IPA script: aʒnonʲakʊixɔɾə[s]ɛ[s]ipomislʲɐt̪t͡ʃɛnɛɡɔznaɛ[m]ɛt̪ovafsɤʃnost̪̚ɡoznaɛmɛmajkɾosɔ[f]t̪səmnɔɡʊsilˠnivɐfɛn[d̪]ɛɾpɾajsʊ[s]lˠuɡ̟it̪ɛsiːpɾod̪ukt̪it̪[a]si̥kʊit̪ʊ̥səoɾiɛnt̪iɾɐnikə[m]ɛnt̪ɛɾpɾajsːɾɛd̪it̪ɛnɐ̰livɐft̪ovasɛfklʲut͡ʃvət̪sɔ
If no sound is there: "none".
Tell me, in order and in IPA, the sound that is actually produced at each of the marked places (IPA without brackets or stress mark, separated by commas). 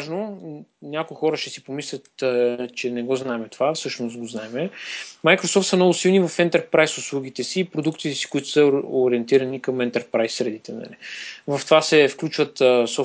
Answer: ʃ, s, m, f, t̪, s, ɛ, m